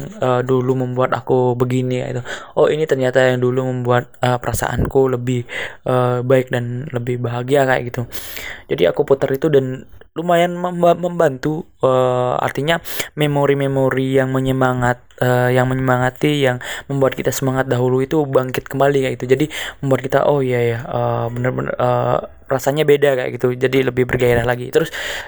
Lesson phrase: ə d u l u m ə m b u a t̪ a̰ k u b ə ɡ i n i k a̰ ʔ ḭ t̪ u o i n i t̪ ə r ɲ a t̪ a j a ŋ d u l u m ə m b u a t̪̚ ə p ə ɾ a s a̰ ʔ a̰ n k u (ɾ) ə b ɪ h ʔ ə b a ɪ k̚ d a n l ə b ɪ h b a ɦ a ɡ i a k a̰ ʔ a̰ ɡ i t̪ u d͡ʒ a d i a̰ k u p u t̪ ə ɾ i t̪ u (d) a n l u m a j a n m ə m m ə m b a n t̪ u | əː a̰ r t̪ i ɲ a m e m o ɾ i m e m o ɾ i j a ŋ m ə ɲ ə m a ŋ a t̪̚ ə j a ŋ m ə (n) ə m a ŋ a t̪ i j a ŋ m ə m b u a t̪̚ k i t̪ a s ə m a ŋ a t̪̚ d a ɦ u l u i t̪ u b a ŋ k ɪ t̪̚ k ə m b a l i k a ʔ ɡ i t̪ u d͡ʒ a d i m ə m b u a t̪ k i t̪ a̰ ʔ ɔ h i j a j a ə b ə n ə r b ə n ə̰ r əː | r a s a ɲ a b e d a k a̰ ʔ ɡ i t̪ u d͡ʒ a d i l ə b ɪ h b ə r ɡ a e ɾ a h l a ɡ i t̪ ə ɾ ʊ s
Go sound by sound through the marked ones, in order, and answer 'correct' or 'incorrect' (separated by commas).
incorrect, correct, incorrect